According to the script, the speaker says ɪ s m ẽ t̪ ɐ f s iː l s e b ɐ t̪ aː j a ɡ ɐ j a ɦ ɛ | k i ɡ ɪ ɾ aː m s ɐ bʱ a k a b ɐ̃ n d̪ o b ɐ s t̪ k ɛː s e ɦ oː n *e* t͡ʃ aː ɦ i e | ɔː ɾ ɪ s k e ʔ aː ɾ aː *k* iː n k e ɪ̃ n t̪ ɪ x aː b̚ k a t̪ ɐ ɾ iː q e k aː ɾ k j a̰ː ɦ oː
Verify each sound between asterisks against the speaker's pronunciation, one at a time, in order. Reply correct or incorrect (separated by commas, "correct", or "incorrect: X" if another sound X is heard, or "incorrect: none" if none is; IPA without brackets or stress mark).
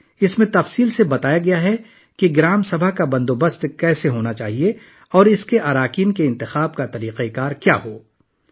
incorrect: a, correct